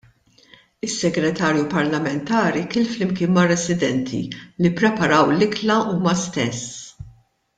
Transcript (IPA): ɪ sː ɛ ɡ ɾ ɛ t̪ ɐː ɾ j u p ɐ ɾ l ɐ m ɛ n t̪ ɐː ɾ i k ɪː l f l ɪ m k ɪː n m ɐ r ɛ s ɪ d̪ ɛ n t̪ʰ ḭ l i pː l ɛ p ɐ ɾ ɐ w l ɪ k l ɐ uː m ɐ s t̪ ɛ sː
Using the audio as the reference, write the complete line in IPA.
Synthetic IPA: ɪ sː ɛ ɡ ɾ ɛ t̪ ɐː ɾ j u p ɐ ɾ l ɐ m ɛ n t̪ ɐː ɾ i k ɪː l f l ɪ m k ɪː n m ɐ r ɛ s ɪ d̪ ɛ n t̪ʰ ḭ l i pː ɾ ɛ p ɐ ɾ ɐ w l ɪ k l ɐ uː m ɐ s t̪ ɛ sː